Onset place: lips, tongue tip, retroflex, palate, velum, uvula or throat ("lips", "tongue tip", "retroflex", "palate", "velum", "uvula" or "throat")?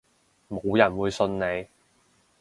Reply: lips